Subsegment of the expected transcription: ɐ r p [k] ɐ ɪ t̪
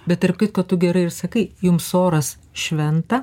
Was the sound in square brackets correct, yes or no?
yes